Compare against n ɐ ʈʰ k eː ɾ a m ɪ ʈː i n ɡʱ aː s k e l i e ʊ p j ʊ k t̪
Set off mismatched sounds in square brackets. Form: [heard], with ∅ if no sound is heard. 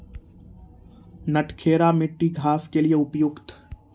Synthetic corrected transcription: n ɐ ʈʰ [kʰ] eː ɾ a m ɪ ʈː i [∅] ɡʱ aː s k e l i e ʊ p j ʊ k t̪